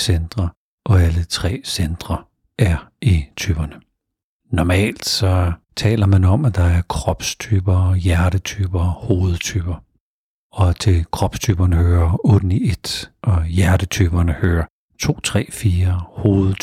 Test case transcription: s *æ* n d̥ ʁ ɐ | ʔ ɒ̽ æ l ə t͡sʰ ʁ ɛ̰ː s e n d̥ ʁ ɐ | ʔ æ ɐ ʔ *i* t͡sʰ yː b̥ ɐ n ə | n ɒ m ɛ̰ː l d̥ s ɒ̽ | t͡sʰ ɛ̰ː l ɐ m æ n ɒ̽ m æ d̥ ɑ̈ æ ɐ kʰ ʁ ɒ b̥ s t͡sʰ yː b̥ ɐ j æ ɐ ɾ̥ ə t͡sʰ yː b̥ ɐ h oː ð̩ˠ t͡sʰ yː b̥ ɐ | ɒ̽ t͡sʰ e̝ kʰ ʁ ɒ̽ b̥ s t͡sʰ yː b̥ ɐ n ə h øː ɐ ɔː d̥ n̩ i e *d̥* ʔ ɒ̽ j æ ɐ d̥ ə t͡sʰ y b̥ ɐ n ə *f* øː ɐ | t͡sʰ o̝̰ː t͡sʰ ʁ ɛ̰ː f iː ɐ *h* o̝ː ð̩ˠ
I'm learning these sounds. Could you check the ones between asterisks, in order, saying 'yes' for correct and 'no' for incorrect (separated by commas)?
no, yes, yes, no, yes